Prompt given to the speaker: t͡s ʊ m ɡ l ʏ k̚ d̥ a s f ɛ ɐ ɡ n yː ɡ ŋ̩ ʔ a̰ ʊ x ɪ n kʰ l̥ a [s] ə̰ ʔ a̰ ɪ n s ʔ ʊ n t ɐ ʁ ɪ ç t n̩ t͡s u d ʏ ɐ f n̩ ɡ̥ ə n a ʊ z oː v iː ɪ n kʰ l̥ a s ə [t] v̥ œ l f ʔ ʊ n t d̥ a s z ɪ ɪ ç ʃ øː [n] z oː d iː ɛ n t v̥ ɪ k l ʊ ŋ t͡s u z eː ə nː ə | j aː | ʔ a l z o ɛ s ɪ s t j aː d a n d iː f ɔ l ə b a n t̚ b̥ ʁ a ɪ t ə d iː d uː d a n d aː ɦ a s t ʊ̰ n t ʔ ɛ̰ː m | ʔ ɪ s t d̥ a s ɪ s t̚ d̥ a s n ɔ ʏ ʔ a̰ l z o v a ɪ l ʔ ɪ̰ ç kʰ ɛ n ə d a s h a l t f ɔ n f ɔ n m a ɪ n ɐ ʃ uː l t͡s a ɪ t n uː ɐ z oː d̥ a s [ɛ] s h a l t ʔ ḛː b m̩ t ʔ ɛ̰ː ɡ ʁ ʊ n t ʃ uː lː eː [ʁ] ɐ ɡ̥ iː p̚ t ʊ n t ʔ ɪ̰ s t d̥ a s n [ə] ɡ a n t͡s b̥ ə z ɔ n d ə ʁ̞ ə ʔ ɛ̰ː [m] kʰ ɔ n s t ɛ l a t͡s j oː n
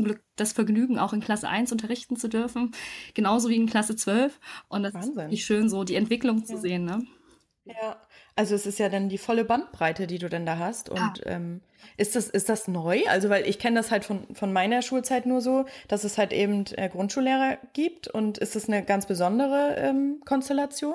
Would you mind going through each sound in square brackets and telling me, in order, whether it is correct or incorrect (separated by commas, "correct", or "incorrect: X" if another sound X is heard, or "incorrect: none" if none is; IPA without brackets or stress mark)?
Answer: correct, incorrect: t͡s, correct, correct, correct, correct, correct